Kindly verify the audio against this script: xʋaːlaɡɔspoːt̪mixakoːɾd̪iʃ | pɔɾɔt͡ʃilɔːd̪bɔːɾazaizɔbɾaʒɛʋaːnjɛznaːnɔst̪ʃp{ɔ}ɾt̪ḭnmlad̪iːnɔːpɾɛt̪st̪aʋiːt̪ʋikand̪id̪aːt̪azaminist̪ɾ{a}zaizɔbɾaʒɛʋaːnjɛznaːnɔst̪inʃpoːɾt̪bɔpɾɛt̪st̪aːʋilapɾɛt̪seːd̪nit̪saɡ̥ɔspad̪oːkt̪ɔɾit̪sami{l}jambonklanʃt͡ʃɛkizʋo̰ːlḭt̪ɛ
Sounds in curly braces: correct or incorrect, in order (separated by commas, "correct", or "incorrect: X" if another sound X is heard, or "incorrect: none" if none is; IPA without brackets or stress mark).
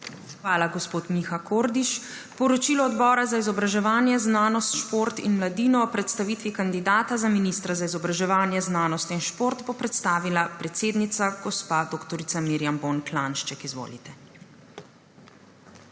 incorrect: o, correct, incorrect: ɾ